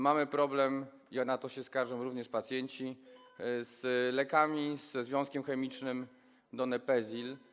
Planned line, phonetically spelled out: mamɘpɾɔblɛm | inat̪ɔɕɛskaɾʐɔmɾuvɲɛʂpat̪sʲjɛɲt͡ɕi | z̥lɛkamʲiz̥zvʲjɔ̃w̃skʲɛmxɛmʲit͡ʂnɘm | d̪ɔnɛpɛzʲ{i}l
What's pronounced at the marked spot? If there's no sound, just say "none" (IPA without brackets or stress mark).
i